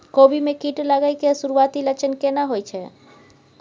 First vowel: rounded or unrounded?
rounded